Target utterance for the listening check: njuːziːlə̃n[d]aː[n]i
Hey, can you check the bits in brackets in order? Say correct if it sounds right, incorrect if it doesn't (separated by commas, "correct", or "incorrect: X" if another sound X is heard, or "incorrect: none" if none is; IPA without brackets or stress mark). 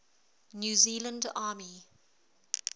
correct, incorrect: m